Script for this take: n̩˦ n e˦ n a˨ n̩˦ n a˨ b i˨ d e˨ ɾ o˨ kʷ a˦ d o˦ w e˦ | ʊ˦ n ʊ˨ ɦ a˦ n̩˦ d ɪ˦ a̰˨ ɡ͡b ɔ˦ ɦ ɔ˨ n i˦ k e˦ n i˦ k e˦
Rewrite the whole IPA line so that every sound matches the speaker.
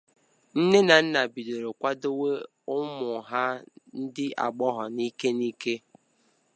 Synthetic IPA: n̩˦ n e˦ n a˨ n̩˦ n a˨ b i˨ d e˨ ɾ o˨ kʷ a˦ d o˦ w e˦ | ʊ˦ m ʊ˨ ɦ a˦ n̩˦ d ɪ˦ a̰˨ ɡ͡b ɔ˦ ɦ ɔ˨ n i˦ k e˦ n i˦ k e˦